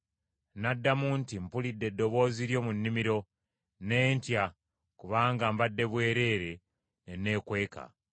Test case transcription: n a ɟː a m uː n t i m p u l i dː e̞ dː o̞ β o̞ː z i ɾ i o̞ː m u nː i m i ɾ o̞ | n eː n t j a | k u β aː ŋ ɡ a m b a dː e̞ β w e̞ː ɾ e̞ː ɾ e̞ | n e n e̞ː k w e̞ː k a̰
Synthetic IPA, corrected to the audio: n a dː a m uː n t i m p u l i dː e̞ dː o̞ β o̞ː z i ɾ j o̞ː m u nː i m i ɾ o̞ | n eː n t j a | k u β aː ŋ ɡ a m b a dː e̞ β w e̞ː ɾ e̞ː ɾ e̞ | n e n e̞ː k w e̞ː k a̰